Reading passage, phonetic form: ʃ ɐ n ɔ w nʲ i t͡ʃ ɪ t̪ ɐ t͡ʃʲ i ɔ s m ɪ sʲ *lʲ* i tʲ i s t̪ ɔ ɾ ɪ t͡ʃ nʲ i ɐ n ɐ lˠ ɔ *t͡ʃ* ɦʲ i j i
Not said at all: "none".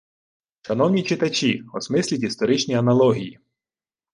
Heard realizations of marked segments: lʲ, none

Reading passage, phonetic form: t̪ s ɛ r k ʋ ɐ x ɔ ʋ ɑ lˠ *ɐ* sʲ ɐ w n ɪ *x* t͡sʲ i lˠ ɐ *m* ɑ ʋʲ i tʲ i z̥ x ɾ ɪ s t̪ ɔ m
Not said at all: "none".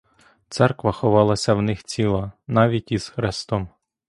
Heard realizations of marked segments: ɐ, x, n

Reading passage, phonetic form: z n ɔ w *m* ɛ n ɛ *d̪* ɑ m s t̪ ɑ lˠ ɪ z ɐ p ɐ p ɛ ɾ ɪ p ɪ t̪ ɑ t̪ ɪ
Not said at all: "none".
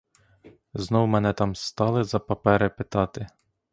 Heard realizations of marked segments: m, t̪

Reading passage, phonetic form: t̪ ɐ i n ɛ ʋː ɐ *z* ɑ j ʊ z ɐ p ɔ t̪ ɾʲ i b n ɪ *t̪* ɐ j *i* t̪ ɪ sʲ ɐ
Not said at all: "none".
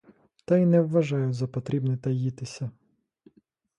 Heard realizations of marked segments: ʒ, t̪, i

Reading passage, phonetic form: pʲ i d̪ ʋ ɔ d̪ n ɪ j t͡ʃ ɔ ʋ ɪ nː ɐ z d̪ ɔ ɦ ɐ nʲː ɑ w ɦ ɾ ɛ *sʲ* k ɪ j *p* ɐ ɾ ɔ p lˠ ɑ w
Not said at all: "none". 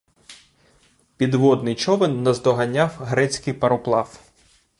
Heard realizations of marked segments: t͡sʲ, p

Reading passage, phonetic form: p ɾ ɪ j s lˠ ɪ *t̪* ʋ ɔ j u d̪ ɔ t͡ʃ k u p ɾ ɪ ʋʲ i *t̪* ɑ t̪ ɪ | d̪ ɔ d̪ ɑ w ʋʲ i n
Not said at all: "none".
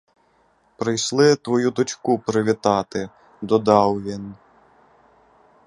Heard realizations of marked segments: t̪, t̪

